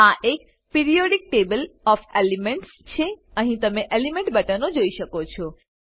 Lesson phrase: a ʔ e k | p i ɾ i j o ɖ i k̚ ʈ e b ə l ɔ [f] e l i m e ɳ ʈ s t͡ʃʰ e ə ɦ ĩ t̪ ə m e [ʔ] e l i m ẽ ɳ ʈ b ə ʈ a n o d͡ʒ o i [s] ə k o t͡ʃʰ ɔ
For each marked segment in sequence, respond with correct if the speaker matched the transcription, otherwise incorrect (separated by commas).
correct, correct, incorrect